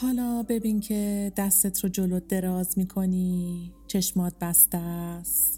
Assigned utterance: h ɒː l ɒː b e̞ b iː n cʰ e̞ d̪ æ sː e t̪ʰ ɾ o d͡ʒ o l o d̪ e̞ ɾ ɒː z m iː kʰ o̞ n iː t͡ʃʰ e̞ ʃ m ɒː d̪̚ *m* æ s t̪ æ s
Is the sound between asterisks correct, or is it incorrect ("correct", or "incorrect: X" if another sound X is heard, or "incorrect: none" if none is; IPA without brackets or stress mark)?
incorrect: b